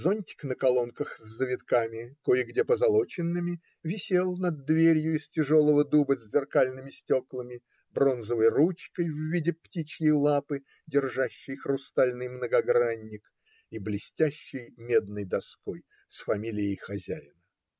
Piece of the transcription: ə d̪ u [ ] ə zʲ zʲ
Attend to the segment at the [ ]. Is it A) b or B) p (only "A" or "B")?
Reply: A